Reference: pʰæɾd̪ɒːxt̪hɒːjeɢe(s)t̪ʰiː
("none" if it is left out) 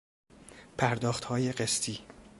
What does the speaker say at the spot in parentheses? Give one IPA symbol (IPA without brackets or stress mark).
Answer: s